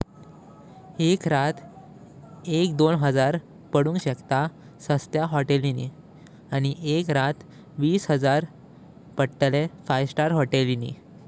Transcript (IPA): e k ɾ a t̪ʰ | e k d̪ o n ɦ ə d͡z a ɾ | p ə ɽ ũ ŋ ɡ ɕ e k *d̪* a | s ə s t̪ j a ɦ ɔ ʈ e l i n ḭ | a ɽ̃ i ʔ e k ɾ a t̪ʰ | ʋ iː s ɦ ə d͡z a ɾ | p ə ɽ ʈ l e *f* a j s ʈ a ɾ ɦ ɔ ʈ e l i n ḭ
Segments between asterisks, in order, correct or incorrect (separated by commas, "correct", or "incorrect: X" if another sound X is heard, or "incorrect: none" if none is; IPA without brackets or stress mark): incorrect: t̪, correct